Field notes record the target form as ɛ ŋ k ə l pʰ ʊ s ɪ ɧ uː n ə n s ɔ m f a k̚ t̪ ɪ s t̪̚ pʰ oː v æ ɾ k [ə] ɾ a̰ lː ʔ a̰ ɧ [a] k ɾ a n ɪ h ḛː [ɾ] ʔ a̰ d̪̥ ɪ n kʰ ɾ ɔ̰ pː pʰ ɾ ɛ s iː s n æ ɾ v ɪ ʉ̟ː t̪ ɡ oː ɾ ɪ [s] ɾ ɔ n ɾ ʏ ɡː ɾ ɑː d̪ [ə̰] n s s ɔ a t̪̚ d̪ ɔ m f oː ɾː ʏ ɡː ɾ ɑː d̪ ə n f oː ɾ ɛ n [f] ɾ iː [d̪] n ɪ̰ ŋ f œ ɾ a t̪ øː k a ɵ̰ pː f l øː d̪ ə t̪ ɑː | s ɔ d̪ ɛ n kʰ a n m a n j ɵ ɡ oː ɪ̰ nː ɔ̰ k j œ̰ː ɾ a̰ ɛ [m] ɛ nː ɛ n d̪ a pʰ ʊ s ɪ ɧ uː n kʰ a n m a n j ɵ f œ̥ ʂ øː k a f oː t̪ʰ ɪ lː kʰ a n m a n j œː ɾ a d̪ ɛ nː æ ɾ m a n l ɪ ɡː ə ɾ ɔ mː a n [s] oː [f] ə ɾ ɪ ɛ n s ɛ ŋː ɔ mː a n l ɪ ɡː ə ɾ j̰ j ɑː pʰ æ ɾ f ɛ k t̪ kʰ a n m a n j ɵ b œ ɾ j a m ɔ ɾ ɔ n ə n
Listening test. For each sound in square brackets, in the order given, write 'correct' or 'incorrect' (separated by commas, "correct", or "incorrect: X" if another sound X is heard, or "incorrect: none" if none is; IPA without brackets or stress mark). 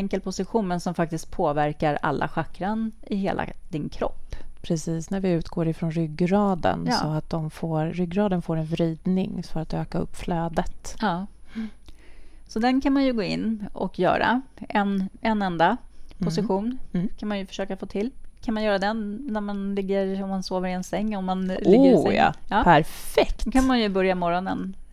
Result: incorrect: a, correct, incorrect: l, incorrect: f, correct, incorrect: v, correct, incorrect: n, correct, incorrect: v